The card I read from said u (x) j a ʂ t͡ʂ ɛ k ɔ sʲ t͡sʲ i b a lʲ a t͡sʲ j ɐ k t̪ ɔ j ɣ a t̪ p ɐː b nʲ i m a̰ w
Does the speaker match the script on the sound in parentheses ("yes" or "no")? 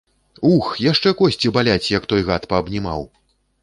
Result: yes